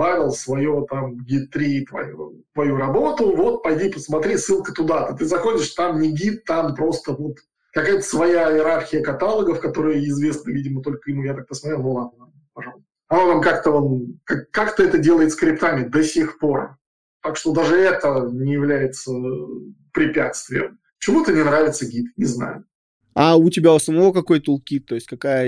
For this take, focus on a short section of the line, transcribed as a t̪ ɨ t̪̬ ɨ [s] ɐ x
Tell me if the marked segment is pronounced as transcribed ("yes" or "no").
no